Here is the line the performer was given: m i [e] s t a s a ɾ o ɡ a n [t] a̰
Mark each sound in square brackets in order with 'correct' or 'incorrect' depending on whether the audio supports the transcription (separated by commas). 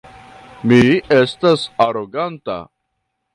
correct, correct